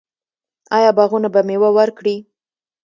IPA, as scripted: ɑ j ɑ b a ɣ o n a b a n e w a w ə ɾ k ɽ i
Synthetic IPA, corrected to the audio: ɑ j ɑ b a ɣ u n a b a m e w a w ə ɾ k ɽ i